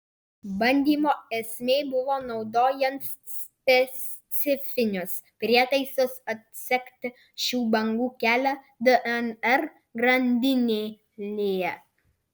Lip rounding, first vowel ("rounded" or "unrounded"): unrounded